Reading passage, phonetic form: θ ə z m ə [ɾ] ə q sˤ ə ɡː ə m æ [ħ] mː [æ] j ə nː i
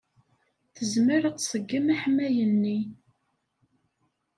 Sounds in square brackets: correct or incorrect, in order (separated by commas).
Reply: correct, correct, correct